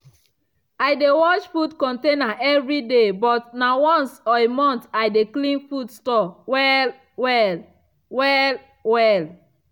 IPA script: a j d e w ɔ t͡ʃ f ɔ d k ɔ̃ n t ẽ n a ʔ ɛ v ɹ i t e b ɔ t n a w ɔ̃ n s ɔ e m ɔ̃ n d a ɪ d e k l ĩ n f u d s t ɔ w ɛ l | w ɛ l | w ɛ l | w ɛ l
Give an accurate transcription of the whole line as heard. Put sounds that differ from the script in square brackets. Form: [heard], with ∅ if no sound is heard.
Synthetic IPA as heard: a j d e w ɔ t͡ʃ f [u] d k ɔ̃ n t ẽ n a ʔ ɛ v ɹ i [d] e b ɔ t n a w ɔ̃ n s ɔ e m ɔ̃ n [t] a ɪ d e k l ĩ n f u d s t ɔ w ɛ l | w ɛ l | w ɛ l | w ɛ l

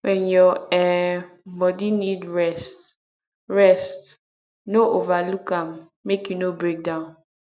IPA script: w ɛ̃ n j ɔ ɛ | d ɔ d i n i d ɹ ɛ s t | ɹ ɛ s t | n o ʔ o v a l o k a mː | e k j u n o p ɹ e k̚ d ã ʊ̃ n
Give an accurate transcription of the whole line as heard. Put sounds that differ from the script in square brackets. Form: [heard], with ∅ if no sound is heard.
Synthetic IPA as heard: w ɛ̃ n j ɔ ɛ | [b] ɔ d i n i d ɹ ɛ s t | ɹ ɛ s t | n o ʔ o v a l [u] k a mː | e k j u n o [b] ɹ e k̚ d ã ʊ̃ n

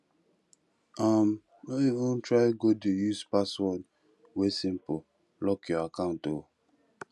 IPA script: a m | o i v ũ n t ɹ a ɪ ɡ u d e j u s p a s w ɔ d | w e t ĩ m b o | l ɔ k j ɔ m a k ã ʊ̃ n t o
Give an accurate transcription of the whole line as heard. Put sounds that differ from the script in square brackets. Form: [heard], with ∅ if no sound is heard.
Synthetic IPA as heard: a m | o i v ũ n t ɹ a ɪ ɡ [o] d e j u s p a s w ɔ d | w e [s] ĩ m [p] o | l ɔ k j ɔ [∅] a k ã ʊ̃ n t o

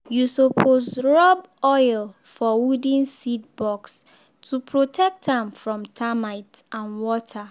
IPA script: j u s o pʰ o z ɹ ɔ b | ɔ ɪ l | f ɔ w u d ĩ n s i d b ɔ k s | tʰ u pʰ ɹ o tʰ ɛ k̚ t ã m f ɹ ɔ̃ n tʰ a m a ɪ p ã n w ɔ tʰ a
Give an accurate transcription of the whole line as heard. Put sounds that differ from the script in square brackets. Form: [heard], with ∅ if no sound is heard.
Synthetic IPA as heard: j u s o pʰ o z ɹ ɔ b | ɔ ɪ l | f ɔ w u d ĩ n s i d b ɔ k s | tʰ u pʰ ɹ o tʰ ɛ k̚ t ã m f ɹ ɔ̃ [m] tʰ a m a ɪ [t] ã n w ɔ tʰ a

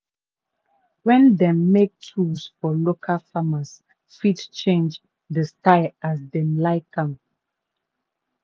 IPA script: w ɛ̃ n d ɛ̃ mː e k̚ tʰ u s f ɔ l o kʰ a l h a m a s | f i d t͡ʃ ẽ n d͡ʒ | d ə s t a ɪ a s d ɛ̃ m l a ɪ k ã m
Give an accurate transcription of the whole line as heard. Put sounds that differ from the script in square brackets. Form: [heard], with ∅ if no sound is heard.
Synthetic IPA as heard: w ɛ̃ n d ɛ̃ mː e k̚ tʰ u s f ɔ l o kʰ a l [f] a m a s | f i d t͡ʃ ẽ n d͡ʒ | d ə s t a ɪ a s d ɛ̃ m l a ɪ k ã m

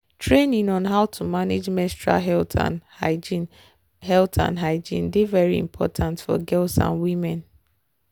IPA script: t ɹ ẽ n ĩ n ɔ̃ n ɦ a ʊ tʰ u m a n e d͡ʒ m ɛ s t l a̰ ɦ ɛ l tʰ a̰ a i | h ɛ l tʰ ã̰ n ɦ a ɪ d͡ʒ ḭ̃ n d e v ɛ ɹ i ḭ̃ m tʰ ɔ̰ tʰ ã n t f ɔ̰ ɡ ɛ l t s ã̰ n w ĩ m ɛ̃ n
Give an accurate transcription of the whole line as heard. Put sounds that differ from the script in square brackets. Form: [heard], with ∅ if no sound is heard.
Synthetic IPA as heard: t ɹ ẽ n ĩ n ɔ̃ n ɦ a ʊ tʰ u m a n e d͡ʒ m ɛ s t [ɹ] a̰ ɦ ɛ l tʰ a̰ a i | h ɛ l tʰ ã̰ n ɦ a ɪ d͡ʒ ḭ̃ n d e v ɛ ɹ i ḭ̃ m [pʰ] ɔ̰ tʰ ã n t f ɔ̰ ɡ ɛ l t s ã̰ n w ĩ m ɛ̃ n

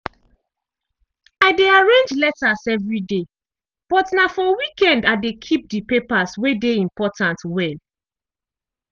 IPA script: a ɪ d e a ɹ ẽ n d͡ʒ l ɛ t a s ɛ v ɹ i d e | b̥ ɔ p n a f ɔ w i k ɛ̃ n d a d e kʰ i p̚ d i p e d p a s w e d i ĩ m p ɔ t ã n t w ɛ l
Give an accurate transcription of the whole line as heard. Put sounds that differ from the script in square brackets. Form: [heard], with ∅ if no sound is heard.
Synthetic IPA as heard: a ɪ d e a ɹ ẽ n d͡ʒ l ɛ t a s ɛ v ɹ i d e | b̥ ɔ [t] n a f ɔ w i k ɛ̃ n d a d e kʰ i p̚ d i p e [∅] p a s w e d [e] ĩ m p ɔ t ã n t w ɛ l

